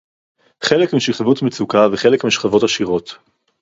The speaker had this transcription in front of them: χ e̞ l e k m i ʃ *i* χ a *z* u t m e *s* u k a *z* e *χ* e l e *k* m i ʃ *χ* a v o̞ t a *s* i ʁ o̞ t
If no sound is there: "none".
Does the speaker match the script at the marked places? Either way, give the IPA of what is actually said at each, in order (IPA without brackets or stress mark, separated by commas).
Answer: i, v, t͡s, v, χ, k, χ, ʃ